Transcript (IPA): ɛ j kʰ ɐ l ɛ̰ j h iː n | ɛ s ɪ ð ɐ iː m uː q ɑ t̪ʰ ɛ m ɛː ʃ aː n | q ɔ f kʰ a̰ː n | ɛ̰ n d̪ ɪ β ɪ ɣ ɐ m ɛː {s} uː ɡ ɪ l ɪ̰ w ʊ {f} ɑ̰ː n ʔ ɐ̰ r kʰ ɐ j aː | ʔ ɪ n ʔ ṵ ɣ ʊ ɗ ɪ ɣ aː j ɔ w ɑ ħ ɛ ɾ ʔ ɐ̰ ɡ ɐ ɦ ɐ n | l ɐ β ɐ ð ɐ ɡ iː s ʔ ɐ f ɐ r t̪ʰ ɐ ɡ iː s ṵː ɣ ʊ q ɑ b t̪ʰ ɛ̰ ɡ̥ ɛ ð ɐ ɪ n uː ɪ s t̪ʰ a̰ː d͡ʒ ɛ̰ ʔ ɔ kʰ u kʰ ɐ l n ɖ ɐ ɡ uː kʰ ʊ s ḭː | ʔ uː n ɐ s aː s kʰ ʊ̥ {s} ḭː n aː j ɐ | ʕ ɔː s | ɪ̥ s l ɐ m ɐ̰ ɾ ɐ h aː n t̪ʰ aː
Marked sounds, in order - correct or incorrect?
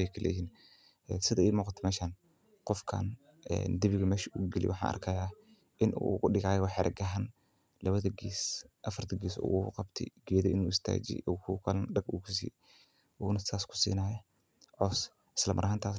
incorrect, incorrect, correct

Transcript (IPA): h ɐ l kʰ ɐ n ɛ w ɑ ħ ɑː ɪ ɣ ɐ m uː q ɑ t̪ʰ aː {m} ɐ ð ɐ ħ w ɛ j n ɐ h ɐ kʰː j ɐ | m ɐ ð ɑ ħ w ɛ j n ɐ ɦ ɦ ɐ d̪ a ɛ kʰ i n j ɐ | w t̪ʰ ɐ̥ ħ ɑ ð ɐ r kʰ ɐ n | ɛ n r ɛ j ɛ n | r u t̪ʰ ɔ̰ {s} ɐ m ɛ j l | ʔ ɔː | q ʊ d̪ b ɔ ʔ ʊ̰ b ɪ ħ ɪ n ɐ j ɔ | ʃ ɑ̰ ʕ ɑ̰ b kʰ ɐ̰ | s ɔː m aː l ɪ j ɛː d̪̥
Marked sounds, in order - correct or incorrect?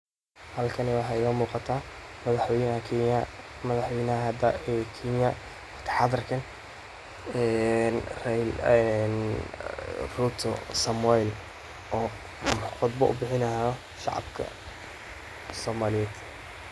correct, correct

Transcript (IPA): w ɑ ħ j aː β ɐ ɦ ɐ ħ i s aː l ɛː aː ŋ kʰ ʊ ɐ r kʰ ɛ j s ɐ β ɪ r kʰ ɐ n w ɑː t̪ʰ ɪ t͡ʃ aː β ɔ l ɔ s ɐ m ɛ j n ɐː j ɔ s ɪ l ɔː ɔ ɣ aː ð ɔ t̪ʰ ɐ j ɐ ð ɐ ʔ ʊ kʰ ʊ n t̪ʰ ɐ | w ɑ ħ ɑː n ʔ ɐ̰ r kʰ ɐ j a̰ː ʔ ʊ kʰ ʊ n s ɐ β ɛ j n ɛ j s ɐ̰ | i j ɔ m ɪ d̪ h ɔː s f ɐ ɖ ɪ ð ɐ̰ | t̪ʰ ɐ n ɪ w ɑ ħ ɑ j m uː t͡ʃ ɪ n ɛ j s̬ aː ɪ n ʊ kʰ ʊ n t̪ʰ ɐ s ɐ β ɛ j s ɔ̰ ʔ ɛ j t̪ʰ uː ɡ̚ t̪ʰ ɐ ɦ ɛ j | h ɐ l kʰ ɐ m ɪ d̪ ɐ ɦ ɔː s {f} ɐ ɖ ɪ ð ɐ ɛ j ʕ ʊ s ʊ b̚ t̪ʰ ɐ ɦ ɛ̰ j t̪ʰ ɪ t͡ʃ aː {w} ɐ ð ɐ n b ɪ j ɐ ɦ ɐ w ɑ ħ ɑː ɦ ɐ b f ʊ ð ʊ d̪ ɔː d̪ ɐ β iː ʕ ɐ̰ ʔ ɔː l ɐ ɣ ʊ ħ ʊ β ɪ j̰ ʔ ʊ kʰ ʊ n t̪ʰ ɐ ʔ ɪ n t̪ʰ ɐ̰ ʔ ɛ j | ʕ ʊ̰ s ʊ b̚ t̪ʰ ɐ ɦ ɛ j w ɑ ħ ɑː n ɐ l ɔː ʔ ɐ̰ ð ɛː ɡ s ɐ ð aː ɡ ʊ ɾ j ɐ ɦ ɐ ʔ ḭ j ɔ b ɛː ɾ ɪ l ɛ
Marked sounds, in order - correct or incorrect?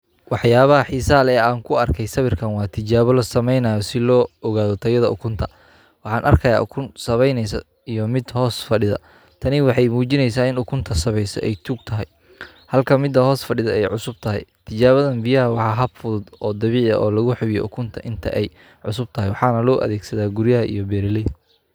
correct, incorrect

